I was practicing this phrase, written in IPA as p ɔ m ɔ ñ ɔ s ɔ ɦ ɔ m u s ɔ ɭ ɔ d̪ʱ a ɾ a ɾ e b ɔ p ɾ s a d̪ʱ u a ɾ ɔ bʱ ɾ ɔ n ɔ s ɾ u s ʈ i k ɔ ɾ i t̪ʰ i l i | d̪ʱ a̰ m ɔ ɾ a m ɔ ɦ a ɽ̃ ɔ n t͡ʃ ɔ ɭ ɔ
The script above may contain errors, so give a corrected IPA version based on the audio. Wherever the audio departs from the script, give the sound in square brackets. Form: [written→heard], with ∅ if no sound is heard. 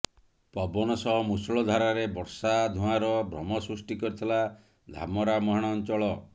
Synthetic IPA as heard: p ɔ [m→b] ɔ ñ ɔ s ɔ ɦ ɔ m u s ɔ ɭ ɔ d̪ʱ a ɾ a ɾ e b ɔ [p→∅] ɾ s a d̪ʱ u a ɾ ɔ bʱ ɾ ɔ [n→m] ɔ s ɾ u s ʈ i k ɔ ɾ i t̪ʰ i l [i→a] | d̪ʱ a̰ m ɔ ɾ a m ɔ ɦ a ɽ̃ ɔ n t͡ʃ ɔ ɭ ɔ